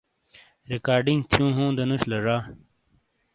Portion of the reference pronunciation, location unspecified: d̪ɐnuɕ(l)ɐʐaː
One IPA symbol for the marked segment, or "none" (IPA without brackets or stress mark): l